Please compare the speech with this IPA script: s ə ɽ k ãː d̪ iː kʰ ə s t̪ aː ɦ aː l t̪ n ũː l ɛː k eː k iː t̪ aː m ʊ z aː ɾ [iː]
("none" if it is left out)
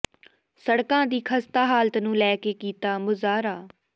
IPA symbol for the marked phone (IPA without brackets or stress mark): aː